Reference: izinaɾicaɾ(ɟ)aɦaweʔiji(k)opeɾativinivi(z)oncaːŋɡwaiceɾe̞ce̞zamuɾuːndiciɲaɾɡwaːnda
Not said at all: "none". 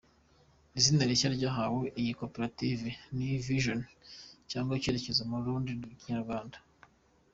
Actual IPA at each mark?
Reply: ɟ, k, ʒ

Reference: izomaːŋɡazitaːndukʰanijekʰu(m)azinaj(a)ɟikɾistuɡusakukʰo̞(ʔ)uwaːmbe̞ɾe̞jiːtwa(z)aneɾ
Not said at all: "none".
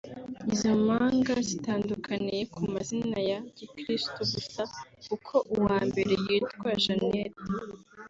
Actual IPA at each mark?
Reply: m, a, ʔ, ʒ

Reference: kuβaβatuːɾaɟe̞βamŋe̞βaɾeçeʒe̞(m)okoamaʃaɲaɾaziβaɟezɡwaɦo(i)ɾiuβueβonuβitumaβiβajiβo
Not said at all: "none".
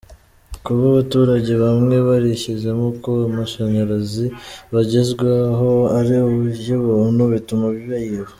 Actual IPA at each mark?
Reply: m, a

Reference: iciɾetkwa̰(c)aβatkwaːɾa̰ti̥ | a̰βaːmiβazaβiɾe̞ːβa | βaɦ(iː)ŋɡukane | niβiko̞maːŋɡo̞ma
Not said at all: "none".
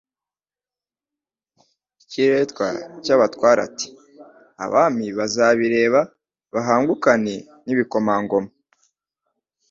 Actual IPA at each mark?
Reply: c, aː

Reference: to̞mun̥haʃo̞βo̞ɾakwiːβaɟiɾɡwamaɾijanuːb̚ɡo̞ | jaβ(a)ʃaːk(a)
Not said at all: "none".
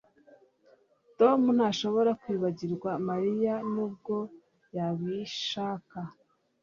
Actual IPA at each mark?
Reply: i, a

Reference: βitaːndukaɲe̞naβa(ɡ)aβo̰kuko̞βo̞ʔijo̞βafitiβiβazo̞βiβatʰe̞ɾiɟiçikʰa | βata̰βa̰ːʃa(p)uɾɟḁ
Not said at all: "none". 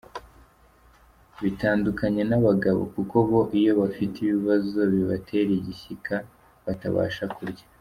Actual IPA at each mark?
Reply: ɡ, k

